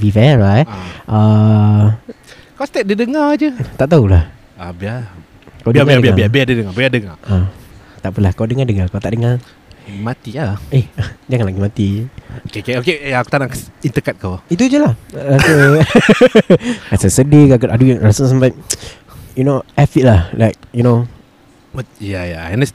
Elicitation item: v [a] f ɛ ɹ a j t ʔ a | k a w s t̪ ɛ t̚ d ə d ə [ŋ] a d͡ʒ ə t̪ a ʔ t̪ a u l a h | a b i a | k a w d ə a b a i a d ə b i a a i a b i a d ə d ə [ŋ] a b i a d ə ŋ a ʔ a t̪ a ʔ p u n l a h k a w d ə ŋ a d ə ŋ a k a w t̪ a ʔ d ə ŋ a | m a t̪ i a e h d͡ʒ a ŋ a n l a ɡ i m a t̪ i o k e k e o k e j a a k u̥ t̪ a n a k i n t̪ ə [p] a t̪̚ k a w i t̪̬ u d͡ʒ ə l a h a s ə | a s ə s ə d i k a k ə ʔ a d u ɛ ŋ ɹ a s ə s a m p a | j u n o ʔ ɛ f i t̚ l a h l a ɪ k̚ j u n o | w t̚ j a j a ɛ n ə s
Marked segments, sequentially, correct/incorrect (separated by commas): incorrect, correct, correct, incorrect